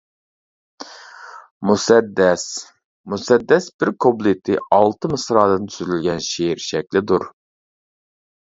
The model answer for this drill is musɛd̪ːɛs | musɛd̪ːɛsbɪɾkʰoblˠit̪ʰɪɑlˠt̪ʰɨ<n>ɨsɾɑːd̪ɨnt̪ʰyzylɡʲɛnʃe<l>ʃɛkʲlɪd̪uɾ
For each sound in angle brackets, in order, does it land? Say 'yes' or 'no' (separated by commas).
no, no